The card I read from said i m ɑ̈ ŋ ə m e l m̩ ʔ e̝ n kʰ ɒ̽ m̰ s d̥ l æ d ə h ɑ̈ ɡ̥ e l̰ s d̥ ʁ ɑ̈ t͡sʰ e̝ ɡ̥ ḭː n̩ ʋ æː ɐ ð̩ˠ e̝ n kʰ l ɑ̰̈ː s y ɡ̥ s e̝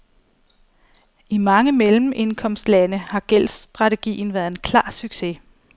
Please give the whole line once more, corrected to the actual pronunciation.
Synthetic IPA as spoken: i m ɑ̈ ŋ ə m e l m̩ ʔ e̝ n kʰ ɒ̽ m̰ s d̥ l æ n ə h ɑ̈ ɡ̥ e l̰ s d̥ ʁ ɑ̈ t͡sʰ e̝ ɡ̥ ḭː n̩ ʋ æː ɐ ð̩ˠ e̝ n kʰ l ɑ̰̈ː s y ɡ̥ s e̝